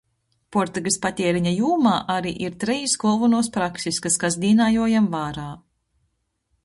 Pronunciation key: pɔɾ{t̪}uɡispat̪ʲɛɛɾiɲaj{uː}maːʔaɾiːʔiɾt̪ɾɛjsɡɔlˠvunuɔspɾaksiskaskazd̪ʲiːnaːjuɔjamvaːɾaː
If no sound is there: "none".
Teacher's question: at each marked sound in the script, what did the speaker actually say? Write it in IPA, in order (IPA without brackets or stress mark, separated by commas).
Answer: t̪, uː